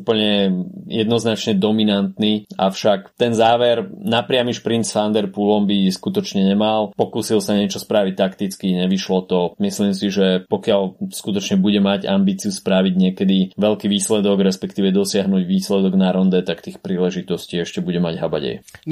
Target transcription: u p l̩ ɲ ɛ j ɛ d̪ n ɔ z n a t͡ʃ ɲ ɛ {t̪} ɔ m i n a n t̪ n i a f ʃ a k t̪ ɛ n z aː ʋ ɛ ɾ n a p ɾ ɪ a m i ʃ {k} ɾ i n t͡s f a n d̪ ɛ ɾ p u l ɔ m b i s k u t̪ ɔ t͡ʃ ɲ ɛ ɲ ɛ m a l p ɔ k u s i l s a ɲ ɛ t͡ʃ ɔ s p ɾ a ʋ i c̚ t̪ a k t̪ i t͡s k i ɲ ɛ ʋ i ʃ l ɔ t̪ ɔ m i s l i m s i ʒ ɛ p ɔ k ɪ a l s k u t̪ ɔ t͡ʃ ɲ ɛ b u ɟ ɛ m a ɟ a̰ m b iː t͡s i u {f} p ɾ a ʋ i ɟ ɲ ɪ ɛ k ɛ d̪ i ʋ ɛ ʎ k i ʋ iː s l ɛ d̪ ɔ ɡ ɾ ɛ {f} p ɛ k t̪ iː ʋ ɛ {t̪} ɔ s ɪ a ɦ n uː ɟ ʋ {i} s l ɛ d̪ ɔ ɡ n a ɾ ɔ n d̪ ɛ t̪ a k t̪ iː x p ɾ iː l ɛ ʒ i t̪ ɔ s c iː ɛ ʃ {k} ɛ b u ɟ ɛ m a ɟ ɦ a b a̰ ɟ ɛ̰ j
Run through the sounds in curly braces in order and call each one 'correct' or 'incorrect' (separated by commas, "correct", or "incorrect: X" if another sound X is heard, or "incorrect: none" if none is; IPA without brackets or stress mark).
incorrect: d̪, incorrect: p, incorrect: s, incorrect: s, incorrect: d̪, incorrect: iː, incorrect: c